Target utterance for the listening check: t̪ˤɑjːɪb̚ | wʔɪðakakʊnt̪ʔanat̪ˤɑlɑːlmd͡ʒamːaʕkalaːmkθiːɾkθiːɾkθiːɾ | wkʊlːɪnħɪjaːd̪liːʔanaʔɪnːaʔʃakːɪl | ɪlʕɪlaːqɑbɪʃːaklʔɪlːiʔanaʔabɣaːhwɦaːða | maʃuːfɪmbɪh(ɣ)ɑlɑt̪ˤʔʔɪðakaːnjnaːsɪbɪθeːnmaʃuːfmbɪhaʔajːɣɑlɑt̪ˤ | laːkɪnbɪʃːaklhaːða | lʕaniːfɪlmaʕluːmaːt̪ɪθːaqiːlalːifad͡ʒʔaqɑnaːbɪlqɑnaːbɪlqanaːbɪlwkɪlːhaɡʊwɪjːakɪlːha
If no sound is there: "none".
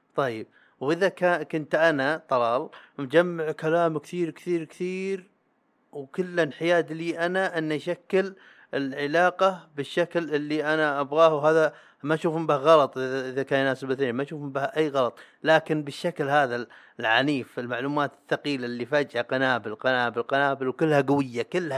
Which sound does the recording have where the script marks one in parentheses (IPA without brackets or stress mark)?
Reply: ɣ